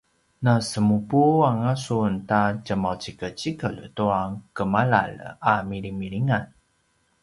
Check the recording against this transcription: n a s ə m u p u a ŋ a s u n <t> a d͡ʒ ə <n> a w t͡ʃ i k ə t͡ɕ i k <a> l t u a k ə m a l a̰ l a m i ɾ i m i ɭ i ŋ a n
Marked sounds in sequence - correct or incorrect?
correct, incorrect, incorrect

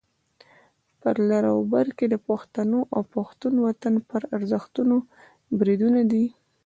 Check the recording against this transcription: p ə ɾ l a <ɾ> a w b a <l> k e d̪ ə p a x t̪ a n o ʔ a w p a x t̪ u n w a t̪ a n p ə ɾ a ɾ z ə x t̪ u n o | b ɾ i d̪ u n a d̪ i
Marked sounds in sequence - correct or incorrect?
correct, incorrect

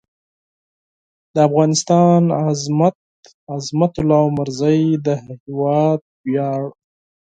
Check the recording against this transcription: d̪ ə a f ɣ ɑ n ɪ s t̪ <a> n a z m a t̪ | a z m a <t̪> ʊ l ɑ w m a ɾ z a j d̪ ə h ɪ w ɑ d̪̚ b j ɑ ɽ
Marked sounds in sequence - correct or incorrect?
incorrect, correct

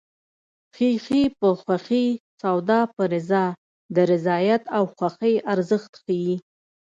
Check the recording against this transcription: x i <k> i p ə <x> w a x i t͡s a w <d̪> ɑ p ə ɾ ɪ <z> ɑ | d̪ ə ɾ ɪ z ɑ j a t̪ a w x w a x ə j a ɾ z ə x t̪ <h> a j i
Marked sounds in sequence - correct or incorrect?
incorrect, correct, correct, correct, incorrect

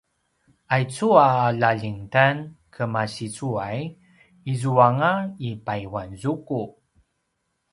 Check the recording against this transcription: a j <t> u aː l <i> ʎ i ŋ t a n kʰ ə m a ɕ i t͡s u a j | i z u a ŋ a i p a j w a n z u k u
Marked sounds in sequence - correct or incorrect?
incorrect, incorrect

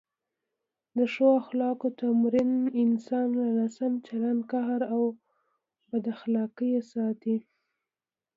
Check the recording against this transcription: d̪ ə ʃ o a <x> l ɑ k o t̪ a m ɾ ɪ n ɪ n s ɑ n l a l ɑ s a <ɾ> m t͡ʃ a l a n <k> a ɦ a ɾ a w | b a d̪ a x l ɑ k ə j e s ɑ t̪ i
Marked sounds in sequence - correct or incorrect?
correct, incorrect, correct

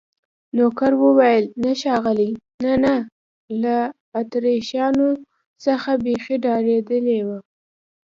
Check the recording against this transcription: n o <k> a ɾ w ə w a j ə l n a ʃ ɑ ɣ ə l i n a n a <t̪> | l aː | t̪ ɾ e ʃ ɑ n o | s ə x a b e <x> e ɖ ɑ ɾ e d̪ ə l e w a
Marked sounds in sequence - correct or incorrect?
correct, incorrect, correct

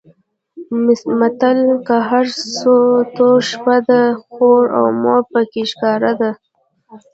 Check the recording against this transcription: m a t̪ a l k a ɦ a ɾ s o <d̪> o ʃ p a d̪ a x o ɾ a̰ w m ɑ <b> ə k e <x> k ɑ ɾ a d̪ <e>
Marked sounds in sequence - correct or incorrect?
incorrect, incorrect, incorrect, incorrect

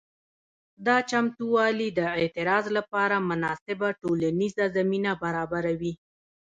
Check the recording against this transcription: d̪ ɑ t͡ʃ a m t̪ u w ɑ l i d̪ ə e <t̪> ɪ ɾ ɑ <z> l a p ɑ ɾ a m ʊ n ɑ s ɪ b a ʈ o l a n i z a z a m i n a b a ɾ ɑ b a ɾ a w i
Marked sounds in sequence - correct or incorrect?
correct, correct

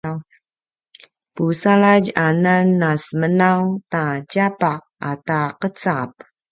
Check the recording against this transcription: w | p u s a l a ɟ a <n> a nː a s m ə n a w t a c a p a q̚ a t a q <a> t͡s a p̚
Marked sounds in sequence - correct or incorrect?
correct, incorrect

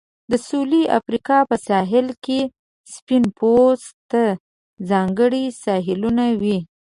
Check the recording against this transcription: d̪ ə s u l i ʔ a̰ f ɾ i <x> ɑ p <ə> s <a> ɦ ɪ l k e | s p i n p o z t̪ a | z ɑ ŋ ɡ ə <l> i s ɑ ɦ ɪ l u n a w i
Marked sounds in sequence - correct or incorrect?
incorrect, correct, incorrect, incorrect

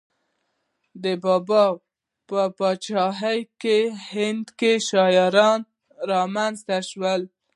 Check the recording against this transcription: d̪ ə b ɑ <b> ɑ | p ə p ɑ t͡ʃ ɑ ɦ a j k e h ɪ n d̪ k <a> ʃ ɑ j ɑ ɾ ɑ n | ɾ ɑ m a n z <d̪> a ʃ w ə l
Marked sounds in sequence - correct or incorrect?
correct, incorrect, incorrect

